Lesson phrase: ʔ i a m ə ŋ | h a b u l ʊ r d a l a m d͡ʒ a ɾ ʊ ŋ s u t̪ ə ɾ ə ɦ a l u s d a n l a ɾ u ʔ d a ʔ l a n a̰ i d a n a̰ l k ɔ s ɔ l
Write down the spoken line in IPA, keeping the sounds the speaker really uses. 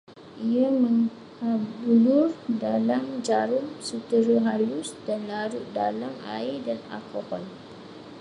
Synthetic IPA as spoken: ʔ i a m ə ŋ | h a b u l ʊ r d a l a m d͡ʒ a ɾ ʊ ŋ s u t̪ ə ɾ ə ɦ a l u s d a n l a ɾ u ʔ d a l a m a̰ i d a n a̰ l k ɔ h ɔ l